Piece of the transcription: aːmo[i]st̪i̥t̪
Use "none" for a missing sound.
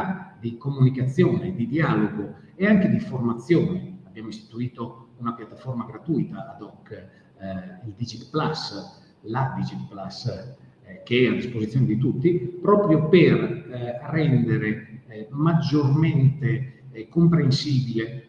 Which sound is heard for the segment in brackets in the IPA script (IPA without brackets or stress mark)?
i